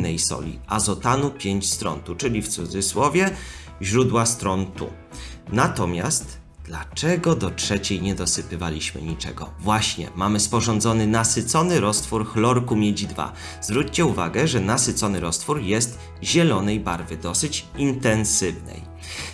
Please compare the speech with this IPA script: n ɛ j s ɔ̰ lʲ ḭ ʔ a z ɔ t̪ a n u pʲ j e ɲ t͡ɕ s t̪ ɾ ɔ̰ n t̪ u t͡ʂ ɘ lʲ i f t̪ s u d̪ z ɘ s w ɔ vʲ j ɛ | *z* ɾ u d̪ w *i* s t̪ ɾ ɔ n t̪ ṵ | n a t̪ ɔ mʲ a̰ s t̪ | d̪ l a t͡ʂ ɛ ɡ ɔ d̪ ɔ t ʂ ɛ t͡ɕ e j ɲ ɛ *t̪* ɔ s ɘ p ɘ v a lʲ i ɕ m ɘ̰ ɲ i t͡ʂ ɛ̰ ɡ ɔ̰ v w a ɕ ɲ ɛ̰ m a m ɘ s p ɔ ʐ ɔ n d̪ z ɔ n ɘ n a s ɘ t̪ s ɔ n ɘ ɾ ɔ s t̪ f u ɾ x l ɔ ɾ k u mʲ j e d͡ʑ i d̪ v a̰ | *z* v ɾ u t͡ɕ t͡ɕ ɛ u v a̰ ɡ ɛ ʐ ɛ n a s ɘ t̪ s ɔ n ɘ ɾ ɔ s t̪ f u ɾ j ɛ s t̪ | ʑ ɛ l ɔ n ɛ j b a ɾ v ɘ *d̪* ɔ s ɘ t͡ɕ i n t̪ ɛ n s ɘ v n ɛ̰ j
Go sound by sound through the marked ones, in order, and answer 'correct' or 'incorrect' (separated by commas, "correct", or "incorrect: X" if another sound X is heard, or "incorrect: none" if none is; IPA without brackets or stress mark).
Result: incorrect: ʑ, incorrect: a, incorrect: d̪, correct, correct